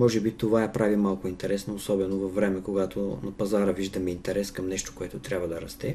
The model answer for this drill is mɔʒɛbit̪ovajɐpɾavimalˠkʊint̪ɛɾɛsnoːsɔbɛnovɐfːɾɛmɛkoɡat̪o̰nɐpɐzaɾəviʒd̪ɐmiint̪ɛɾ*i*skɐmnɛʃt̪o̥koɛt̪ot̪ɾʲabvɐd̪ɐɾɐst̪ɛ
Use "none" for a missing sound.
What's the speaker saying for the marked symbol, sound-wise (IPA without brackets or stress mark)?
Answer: ɛ